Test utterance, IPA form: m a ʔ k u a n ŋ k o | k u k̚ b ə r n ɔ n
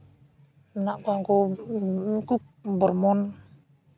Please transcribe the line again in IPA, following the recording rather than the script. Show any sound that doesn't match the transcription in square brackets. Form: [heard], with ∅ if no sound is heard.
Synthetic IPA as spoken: [n] a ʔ k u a [∅] ŋ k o | k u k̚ b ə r [m] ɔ n